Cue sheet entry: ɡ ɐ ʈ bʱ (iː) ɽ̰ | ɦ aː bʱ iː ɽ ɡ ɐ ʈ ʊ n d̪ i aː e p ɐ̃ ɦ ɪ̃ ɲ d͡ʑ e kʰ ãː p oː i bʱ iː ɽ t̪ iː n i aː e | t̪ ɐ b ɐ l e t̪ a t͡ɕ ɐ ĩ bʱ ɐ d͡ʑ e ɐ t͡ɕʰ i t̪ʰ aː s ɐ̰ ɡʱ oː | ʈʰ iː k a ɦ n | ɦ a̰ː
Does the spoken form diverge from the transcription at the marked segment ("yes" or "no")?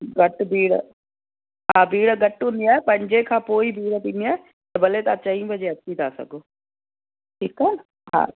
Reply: no